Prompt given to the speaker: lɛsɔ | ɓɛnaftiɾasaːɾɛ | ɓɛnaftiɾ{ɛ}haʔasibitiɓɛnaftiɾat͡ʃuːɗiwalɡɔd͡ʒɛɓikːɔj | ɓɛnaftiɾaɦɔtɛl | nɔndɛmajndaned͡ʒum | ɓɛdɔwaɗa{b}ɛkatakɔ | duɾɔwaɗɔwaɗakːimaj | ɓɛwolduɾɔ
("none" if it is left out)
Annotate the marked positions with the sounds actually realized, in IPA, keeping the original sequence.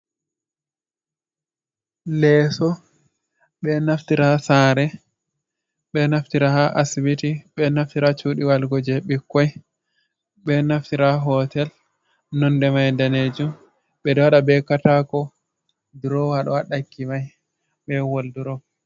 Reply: a, b

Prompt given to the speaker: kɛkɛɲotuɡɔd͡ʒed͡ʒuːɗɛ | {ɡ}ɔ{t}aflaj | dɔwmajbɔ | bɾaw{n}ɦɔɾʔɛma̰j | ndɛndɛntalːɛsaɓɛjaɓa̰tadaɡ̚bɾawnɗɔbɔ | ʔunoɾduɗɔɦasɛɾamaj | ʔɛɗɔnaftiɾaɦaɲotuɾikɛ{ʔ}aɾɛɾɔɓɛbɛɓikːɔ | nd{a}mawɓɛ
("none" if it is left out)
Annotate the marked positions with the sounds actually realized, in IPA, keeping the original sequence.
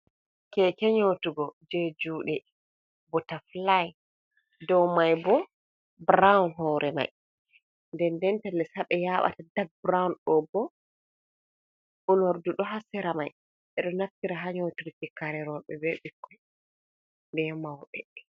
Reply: b, t, n, k, ɛ

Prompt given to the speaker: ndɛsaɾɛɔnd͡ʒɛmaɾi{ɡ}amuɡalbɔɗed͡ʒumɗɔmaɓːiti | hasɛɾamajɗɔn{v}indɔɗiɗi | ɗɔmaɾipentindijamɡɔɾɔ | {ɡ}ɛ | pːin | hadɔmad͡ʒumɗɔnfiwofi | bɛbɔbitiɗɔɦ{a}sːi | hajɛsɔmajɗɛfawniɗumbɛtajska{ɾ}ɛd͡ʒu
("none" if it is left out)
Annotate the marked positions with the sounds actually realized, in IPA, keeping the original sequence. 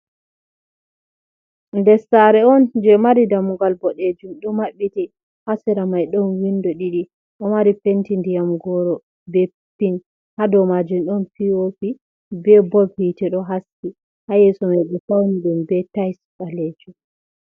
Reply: d, w, b, a, l

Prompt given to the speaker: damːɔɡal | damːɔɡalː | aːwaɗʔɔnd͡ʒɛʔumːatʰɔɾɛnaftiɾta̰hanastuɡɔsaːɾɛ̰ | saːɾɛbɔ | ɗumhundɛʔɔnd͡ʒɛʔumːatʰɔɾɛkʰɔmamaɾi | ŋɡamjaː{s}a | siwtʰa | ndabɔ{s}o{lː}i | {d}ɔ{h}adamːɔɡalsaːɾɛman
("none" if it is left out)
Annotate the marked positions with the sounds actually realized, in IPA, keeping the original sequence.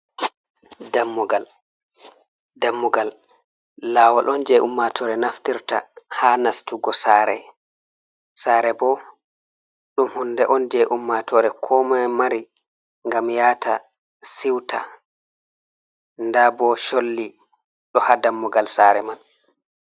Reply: t, ʃ, lː, ɗ, h

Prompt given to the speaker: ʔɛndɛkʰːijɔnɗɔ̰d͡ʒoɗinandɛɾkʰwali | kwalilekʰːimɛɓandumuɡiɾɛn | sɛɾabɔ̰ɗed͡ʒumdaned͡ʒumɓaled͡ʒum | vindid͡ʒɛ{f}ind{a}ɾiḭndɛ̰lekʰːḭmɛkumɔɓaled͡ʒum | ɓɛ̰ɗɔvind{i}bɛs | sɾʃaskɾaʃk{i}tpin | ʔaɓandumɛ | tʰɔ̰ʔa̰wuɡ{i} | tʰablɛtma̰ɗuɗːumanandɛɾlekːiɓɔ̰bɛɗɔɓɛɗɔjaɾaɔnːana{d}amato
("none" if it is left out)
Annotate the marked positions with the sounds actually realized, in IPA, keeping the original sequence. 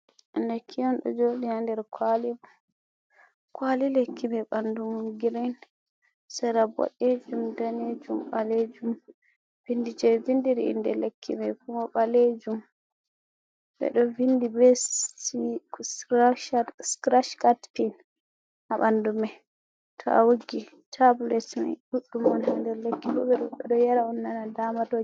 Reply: v, i, i, a, i, d

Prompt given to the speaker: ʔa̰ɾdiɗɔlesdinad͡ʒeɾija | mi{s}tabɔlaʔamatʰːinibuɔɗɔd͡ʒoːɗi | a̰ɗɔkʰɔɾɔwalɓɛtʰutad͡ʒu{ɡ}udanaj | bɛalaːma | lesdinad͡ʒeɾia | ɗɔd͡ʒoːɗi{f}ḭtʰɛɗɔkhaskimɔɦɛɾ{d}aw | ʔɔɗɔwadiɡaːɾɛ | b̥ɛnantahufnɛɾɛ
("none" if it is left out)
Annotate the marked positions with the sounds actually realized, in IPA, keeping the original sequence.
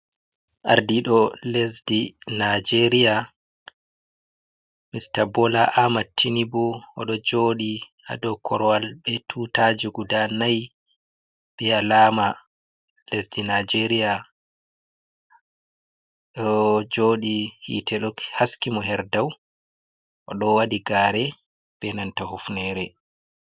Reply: s, ɡ, h, d

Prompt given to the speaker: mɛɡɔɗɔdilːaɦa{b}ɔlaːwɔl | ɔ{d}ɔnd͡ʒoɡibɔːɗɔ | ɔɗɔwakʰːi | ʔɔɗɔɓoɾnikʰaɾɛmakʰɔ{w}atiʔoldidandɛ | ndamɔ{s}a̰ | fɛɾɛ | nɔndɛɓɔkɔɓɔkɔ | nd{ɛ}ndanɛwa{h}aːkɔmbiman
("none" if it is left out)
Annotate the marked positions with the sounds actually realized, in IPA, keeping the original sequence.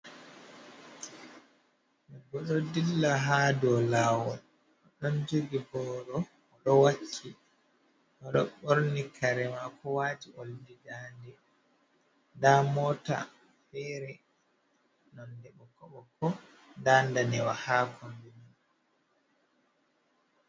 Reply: d, ɗ, w, t, a, h

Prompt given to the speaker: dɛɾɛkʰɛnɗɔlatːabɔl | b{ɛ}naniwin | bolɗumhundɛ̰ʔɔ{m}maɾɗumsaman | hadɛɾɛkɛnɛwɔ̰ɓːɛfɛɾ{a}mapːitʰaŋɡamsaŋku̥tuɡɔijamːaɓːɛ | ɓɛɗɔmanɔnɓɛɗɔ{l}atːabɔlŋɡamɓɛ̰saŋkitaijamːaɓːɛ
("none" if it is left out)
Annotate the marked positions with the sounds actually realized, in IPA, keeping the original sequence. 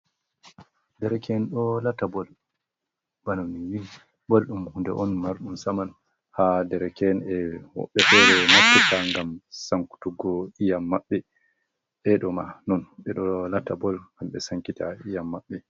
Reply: a, n, ɛ, l

